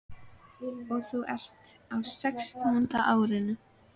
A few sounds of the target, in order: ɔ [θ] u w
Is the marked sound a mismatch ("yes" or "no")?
no